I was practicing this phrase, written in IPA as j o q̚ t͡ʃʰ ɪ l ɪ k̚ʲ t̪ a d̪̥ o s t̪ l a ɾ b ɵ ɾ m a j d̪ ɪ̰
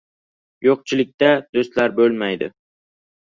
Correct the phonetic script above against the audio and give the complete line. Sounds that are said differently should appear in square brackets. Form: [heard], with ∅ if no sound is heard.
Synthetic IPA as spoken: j o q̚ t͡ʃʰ ɪ l ɪ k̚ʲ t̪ a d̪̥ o s t̪ l a ɾ b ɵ [l] m a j d̪ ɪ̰